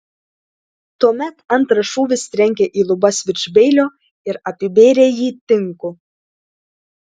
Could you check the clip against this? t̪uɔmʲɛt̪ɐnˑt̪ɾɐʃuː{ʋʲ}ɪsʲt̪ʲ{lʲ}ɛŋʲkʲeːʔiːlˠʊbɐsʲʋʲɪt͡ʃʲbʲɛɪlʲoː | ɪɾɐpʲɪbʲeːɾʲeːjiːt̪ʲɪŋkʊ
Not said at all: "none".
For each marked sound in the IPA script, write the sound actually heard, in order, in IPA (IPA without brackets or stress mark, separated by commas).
ʋʲ, ɾʲ